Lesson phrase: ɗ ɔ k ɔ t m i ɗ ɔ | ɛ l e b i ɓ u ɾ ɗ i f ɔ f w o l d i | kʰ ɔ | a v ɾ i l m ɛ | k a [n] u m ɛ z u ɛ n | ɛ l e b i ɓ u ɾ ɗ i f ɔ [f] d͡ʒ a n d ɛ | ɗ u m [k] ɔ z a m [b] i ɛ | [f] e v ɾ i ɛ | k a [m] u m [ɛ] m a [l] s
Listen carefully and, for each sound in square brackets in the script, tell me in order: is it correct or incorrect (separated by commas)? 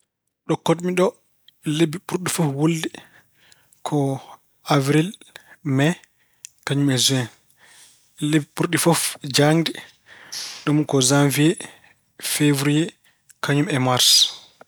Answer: incorrect, correct, correct, incorrect, correct, incorrect, correct, incorrect